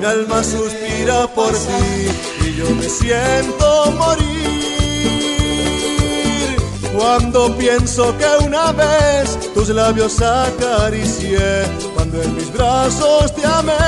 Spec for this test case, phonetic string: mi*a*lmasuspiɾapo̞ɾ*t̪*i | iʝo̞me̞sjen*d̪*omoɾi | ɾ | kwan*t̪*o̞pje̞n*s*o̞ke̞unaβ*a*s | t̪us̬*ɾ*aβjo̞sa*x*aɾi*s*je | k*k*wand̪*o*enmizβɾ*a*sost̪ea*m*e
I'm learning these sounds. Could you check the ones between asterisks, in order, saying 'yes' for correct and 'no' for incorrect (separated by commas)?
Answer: yes, yes, no, no, yes, no, no, no, yes, yes, yes, yes, yes